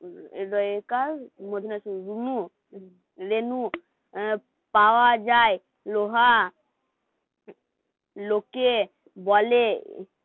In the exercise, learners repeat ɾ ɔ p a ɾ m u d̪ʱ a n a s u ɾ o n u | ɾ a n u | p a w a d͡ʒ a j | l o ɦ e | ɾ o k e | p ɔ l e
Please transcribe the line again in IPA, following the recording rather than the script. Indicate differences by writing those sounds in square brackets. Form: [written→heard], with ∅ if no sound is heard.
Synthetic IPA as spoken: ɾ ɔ [p→k] a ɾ m [u→o] d̪ʱ [a→i] n a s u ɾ [o→u] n u | ɾ [a→e] n u | p a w a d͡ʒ a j | l o ɦ [e→a] | [ɾ→l] o k e | [p→b] ɔ l e